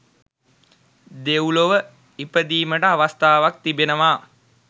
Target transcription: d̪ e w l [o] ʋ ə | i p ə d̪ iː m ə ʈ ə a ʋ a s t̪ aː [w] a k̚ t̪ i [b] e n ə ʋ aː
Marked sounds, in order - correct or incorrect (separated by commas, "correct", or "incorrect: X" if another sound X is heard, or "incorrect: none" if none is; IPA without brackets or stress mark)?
correct, incorrect: ʋ, correct